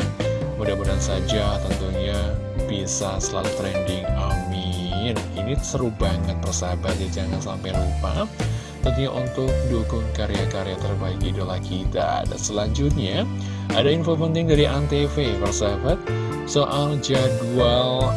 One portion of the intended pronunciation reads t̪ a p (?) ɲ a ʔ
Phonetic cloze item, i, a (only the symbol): i